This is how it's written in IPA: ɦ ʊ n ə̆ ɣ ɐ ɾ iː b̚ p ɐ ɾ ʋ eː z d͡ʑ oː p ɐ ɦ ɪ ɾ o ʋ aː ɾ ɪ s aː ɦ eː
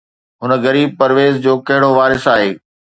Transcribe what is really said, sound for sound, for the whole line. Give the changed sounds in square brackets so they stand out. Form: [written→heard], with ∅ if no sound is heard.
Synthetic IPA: ɦ ʊ n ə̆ ɣ ɐ ɾ iː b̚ p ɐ ɾ ʋ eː z d͡ʑ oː [p→k] ɐ ɦ ɪ [ɾ→ɽ] o ʋ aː ɾ ɪ s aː ɦ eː